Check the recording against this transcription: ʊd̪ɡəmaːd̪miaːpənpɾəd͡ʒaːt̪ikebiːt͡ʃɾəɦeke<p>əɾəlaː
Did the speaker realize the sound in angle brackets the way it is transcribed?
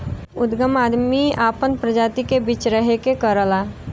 no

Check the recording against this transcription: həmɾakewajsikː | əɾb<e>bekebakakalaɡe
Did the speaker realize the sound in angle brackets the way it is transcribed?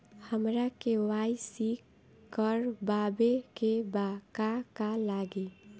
no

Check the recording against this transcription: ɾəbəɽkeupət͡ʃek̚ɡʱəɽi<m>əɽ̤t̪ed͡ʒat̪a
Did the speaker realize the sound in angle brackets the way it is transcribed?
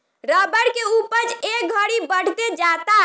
no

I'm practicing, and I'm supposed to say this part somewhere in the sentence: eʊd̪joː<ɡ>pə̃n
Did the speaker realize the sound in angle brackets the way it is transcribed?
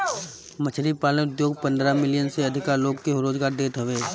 yes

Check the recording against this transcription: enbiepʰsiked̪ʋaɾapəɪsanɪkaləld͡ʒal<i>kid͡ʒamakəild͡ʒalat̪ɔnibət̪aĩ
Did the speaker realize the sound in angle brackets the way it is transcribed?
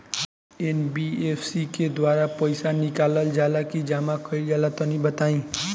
no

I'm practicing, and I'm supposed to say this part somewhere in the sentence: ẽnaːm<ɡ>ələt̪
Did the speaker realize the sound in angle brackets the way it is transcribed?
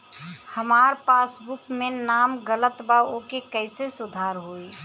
yes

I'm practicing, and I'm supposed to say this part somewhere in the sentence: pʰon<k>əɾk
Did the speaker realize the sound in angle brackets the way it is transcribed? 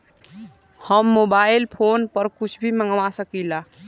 no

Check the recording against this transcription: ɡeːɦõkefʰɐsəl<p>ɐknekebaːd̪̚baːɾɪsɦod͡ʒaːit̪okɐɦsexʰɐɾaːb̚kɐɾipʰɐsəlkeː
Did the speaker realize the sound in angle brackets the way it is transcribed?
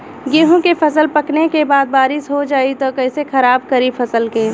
yes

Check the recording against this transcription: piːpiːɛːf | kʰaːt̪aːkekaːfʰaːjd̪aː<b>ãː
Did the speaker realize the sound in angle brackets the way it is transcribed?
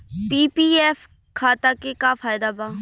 yes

